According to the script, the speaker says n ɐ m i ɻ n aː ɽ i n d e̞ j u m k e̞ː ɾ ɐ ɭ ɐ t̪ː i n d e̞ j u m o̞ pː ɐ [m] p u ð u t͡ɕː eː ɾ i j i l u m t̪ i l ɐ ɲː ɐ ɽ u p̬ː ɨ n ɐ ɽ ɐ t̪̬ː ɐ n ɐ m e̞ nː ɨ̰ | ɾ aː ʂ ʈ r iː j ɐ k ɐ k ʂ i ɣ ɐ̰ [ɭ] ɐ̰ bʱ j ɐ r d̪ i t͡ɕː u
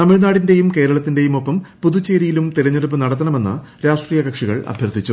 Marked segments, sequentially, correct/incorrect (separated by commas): correct, correct